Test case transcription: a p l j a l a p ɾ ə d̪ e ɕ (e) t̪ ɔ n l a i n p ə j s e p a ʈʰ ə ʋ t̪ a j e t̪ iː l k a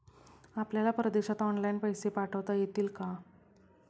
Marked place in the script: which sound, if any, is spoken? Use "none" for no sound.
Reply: a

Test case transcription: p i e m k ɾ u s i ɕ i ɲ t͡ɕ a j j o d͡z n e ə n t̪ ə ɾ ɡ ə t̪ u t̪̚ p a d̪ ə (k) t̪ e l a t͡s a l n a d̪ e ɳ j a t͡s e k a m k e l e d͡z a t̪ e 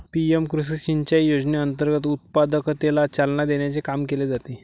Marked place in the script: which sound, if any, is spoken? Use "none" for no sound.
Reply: k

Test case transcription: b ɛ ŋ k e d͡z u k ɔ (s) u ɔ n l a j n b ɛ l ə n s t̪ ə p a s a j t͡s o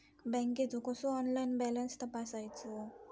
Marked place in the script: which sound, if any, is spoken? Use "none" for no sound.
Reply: s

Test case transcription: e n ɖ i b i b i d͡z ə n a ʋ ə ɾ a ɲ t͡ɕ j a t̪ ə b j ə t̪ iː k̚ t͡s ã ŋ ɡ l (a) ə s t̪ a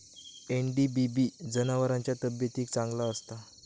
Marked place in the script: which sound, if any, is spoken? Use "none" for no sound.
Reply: a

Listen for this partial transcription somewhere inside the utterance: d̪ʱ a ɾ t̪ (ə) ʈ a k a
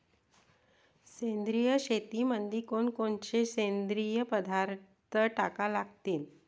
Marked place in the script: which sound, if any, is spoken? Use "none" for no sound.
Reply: ə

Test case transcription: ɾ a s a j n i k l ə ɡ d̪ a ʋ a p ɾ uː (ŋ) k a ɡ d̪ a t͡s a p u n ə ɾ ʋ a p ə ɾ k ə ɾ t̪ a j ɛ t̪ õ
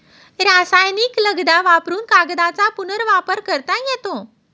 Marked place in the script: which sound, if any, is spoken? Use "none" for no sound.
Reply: n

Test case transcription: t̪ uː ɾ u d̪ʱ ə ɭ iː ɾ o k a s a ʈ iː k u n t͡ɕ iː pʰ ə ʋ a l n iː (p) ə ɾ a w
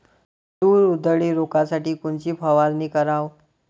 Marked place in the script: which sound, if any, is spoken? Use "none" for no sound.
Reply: k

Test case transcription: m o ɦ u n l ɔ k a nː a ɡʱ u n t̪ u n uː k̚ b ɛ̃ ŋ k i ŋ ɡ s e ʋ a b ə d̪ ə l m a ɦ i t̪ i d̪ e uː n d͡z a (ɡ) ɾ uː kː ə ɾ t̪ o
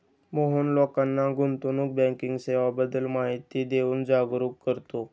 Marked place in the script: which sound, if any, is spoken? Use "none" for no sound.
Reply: ɡ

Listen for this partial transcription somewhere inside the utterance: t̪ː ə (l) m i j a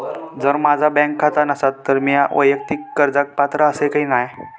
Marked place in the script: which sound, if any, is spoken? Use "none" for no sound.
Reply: ɾ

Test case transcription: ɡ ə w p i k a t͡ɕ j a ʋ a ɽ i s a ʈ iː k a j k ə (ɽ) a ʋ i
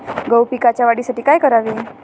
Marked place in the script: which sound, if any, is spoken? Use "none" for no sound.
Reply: ɾ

